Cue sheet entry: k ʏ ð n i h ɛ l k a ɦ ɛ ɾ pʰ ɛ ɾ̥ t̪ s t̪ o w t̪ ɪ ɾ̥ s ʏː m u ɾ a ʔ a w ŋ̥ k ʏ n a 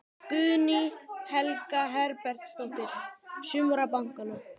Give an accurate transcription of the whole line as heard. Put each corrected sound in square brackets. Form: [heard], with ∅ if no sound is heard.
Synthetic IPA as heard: k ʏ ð n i h ɛ l k a ɦ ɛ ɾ [p] ɛ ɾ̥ t̪ s t̪ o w t̪ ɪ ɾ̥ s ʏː m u ɾ a [p] a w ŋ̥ k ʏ n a

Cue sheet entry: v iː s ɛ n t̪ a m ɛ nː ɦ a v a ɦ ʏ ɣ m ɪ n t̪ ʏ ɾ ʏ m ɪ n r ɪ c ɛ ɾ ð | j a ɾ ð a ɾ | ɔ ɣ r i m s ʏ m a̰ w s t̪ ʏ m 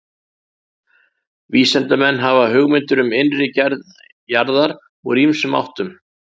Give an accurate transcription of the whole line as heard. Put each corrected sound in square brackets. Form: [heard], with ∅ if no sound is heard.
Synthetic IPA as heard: v iː s ɛ n t̪ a m ɛ nː ɦ a v a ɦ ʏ ɣ m ɪ n t̪ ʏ ɾ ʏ m ɪ n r ɪ c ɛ ɾ ð | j a ɾ ð a ɾ | ɔ ɣ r i m s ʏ m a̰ w [h] t̪ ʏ m

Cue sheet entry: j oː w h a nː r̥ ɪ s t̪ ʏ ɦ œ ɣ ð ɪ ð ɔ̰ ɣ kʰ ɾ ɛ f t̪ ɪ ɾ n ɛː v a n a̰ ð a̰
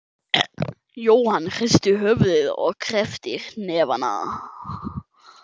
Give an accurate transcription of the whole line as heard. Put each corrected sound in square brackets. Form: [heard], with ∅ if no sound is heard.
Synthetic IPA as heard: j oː w h a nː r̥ ɪ s t̪ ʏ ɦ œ [v] ð ɪ ð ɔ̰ ɣ kʰ ɾ ɛ f t̪ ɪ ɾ n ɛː v a n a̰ ð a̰

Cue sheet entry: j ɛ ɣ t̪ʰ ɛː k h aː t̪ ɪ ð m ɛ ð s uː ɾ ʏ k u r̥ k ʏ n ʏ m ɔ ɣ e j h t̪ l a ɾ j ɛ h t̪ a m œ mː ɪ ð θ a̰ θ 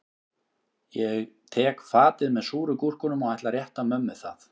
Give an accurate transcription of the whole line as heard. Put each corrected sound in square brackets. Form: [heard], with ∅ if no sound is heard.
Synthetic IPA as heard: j ɛ ɣ t̪ʰ ɛː k [f] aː t̪ ɪ ð m ɛ ð s uː ɾ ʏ k u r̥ k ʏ n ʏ m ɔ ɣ [a] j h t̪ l a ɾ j ɛ h t̪ a m œ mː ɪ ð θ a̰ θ

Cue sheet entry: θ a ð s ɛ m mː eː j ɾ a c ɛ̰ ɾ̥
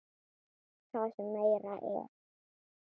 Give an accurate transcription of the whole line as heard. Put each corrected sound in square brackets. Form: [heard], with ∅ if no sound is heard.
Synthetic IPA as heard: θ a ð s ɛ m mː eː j ɾ a [ʔ] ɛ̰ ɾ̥

